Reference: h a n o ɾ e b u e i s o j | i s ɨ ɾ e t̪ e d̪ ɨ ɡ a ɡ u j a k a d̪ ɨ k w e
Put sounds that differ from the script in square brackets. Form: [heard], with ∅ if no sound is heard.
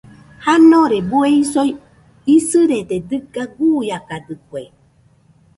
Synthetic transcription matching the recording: h a n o ɾ e b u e i s o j | i s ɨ ɾ e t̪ e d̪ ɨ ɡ a ɡ u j a k a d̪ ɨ k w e